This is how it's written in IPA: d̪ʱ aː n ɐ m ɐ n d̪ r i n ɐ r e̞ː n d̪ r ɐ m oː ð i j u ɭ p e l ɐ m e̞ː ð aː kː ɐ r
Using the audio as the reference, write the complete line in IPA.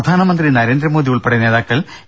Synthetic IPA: d̪ʱ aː n ɐ m ɐ n d̪ r i n ɐ ɾ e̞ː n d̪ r ɐ m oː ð i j u ɭ p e ɽ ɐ n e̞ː ð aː kː ɐ ɭ